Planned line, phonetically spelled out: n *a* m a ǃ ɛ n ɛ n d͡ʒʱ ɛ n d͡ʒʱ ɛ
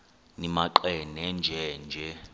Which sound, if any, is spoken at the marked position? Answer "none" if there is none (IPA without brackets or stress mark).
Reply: i